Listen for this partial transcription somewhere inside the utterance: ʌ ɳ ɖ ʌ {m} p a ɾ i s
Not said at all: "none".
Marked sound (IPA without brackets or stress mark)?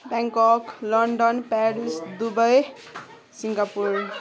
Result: n